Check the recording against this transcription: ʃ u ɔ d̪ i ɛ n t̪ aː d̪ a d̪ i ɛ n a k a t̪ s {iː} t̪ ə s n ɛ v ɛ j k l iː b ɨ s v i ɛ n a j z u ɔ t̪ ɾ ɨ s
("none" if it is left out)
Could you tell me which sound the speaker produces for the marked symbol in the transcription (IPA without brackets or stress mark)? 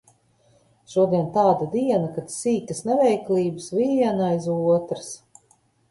iː